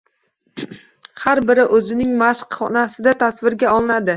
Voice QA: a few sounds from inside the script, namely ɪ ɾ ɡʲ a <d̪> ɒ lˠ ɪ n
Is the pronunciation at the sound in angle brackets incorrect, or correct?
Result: incorrect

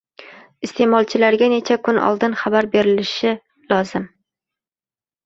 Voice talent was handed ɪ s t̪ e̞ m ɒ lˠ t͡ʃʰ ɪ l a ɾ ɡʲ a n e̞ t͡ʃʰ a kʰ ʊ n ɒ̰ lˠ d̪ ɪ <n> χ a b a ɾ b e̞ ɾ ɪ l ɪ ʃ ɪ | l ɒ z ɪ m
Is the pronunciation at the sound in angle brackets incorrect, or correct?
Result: correct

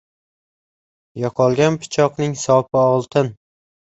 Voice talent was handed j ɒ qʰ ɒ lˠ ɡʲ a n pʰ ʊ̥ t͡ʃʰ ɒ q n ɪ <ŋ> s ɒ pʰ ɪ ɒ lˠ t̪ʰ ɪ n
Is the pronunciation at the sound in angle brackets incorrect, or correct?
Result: correct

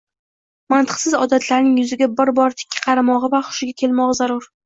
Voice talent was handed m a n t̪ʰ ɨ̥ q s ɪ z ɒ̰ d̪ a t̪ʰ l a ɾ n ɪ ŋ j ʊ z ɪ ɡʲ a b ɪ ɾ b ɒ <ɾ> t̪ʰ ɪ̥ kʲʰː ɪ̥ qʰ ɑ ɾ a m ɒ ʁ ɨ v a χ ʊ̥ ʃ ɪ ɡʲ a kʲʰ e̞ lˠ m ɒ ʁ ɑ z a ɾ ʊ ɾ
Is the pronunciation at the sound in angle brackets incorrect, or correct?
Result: correct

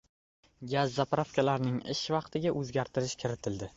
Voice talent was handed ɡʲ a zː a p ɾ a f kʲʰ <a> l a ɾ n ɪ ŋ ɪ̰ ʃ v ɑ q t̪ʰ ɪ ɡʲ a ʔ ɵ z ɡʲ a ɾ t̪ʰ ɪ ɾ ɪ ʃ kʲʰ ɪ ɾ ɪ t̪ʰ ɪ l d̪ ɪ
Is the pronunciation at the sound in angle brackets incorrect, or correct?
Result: correct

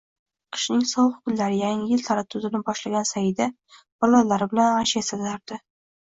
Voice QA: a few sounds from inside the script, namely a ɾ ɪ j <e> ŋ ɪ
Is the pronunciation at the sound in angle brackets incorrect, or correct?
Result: incorrect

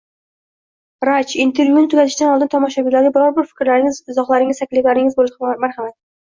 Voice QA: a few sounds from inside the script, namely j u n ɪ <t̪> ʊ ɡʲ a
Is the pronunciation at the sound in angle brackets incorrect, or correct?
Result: correct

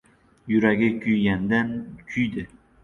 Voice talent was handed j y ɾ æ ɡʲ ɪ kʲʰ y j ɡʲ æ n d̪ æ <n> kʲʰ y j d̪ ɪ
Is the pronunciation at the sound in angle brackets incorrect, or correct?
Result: correct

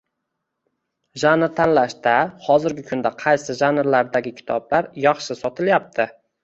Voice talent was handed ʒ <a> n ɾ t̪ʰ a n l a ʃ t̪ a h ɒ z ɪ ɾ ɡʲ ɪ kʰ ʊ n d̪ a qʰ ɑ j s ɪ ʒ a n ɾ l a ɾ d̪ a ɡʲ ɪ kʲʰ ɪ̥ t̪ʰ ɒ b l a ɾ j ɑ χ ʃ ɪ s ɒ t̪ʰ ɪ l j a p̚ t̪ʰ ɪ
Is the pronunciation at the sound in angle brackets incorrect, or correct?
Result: correct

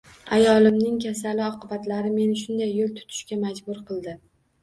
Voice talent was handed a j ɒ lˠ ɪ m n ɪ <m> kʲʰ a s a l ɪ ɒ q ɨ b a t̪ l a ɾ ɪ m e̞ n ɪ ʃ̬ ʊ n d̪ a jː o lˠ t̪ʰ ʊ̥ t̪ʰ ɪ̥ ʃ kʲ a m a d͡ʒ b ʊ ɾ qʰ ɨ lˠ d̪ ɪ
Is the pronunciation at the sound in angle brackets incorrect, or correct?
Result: incorrect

